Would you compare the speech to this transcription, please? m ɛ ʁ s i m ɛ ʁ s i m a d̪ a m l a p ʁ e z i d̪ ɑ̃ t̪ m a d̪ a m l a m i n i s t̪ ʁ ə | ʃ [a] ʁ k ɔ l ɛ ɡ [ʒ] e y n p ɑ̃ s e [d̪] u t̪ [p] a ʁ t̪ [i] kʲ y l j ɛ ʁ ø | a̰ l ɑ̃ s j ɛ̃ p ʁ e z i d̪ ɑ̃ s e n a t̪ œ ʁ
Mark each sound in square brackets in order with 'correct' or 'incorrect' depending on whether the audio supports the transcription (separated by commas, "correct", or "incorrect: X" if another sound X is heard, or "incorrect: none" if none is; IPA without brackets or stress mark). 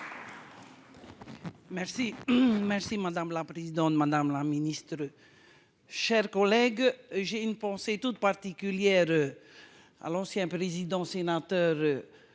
incorrect: ɛ, correct, incorrect: t̪, correct, correct